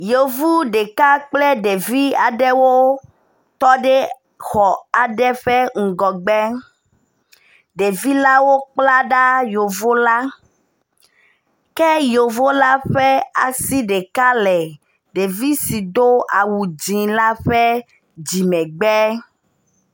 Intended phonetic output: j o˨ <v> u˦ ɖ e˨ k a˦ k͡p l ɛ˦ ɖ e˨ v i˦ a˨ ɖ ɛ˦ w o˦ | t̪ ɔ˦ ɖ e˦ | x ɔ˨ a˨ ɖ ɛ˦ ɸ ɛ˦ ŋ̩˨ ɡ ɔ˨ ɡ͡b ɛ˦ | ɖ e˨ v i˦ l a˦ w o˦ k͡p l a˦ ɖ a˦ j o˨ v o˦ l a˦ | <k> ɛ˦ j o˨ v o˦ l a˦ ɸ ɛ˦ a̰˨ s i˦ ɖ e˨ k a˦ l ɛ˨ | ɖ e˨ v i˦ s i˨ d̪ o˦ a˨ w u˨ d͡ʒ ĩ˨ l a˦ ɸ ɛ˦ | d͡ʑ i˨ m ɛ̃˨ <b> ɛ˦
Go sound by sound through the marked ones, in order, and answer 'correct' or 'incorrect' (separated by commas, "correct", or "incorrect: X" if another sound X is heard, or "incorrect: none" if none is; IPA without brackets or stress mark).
correct, correct, incorrect: ɡ͡b